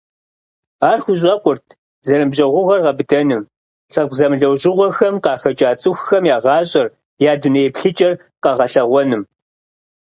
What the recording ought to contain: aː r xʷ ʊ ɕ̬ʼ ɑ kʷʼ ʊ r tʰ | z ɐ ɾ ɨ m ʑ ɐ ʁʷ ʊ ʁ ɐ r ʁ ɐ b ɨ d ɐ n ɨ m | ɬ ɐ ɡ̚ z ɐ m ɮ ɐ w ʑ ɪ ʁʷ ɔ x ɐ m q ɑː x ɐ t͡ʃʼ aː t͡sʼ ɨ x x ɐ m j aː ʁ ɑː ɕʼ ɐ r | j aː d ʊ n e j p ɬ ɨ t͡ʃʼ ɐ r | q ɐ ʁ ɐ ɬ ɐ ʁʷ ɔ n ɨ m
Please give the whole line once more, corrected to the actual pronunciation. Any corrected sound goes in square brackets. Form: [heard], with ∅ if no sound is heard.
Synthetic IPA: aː r xʷ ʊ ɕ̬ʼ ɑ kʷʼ ʊ r tʰ | z ɐ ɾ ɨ m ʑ ɐ ʁʷ ʊ ʁ ɐ r ʁ ɐ b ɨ d ɐ n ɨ m | ɬ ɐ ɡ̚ z ɐ m ɮ ɐ w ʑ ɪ ʁʷ ɔ x ɐ m q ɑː x ɐ t͡ʃʼ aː t͡sʼ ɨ x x ɐ m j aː ʁ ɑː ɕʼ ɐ r | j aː d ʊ n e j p ɬ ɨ t͡ʃʼ ɐ r | q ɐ ʁ ɐ ɬ ɐ ʁʷ ɔ n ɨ m